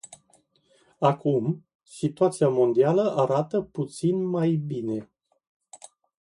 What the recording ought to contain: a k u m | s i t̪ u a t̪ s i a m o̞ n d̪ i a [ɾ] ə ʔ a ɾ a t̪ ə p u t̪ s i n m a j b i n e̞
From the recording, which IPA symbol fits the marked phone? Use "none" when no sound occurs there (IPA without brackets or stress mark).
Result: l